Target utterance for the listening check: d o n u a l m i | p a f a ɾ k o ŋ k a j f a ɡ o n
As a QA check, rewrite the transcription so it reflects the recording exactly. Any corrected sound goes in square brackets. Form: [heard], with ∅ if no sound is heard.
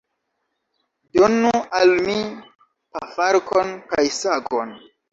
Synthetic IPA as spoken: d o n u a l m i | p a f a ɾ k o [n] k a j [s] a ɡ o n

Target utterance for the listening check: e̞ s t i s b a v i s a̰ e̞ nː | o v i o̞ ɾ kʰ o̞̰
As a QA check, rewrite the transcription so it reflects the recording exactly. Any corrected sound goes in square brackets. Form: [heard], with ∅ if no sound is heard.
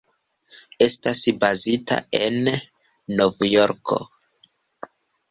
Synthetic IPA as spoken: e̞ s t [a] s b a [z] i [t] a̰ e̞ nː | o v [j] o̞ ɾ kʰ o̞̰

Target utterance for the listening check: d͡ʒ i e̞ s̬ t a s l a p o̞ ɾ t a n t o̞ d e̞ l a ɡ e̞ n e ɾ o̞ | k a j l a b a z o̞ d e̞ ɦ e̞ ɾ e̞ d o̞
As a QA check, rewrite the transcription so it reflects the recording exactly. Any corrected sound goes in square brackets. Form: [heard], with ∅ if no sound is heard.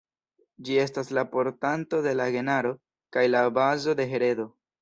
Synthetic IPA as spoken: d͡ʒ i e̞ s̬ t a s l a p o̞ ɾ t a n t o̞ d e̞ l a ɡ e̞ n [a] ɾ o̞ | k a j l a b a z o̞ d e̞ ɦ e̞ ɾ e̞ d o̞

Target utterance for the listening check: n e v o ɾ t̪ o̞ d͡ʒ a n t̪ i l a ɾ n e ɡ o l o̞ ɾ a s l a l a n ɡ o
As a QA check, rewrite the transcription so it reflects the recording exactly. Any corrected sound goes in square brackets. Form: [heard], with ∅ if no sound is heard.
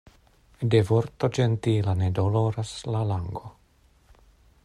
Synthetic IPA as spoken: [d] e v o ɾ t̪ o̞ d͡ʒ [e] n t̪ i l a [∅] n e [d] o l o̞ ɾ a s l a l a [ŋ] ɡ o

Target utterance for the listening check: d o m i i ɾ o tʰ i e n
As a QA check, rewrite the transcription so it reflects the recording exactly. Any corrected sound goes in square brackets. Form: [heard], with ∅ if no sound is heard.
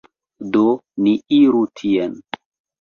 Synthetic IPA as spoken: d o [n] i i ɾ [u] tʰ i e n

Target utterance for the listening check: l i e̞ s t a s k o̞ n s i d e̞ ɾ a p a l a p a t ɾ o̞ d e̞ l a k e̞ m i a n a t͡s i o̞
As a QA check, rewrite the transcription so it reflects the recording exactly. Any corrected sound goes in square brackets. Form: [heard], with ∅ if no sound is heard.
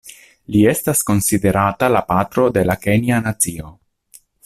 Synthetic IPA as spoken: l i e̞ s t a s k o̞ n s i d e̞ ɾ a [t] a l a p a t ɾ o̞ d e̞ l a k e̞ [n] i a n a t͡s i o̞

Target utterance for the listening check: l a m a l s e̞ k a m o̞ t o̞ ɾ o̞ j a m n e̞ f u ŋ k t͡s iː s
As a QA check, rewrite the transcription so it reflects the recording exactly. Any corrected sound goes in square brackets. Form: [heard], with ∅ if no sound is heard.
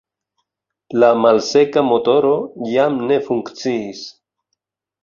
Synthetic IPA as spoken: l a m a l s e̞ k a m o̞ t o̞ ɾ o̞ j a m n e̞ f u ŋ k t͡s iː s

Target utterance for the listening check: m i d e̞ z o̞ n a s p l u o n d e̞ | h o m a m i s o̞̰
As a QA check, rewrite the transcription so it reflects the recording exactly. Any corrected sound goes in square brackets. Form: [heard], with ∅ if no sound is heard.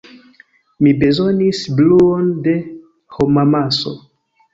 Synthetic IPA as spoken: m i [b] e̞ z o̞ n [i] s [b] l u o n d e̞ | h o m a m [a] s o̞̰

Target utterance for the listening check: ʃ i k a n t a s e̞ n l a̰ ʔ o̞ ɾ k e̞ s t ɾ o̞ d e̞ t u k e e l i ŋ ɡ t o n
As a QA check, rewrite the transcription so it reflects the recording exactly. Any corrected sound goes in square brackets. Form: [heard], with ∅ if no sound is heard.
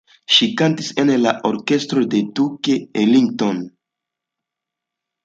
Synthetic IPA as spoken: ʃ i k a n t [i] s e̞ n l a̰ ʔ o̞ ɾ k e̞ s t ɾ o̞ d e̞ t u k e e l i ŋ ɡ t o n

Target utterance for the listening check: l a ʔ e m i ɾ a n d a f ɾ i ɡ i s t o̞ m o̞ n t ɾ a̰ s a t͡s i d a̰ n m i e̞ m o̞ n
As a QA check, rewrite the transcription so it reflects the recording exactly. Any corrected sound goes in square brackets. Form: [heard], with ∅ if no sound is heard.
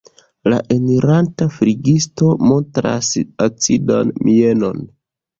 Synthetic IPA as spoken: l a ʔ e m i ɾ a n [t] a f ɾ i ɡ i s t o̞ m o̞ n t ɾ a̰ s a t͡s i d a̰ n m i e̞ [n] o̞ n

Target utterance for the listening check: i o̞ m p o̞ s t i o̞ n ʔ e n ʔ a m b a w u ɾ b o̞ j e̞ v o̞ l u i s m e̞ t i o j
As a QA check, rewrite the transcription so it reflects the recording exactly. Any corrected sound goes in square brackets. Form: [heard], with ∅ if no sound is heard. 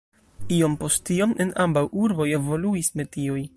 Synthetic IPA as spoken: i o̞ m p o̞ s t i o̞ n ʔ e n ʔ a m b a w u ɾ b o̞ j e̞ v o̞ l u i s m e̞ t i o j

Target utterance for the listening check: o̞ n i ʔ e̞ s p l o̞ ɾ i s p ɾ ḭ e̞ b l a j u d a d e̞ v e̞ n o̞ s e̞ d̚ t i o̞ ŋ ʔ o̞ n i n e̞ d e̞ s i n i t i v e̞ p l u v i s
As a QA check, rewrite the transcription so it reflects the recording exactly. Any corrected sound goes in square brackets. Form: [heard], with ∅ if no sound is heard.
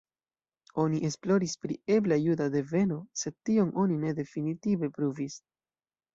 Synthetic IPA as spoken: o̞ n i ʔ e̞ s p l o̞ ɾ i s p ɾ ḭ e̞ b l a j u d a d e̞ v e̞ n o̞ s e̞ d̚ t i o̞ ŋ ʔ o̞ n i n e̞ d e̞ [f] i n i t i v e̞ p [ɾ] u v i s

